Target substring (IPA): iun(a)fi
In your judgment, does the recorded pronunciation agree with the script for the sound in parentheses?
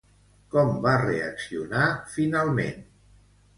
yes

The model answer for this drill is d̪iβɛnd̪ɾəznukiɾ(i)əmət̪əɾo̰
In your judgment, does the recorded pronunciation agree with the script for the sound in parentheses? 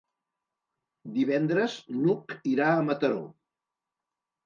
no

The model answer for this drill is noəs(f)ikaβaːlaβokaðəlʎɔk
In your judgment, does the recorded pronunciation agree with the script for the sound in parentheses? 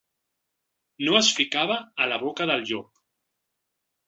yes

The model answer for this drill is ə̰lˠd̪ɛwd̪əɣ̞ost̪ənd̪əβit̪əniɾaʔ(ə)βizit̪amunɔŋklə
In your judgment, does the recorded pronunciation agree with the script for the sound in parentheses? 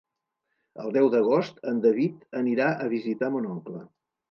yes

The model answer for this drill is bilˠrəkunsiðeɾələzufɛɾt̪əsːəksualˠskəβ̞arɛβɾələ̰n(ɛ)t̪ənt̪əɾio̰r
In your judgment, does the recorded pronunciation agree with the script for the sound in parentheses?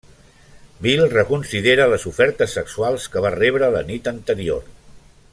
no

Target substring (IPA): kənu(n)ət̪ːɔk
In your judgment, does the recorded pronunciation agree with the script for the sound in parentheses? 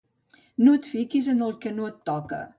no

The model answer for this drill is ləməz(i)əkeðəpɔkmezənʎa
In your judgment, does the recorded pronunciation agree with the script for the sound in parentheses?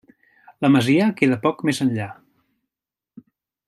yes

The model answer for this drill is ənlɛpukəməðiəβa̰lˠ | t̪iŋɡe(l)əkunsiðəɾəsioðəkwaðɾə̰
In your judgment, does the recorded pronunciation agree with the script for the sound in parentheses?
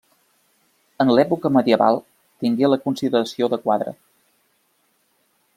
yes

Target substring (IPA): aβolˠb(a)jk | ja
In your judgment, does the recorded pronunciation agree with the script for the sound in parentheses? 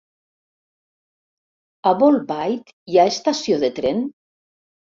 yes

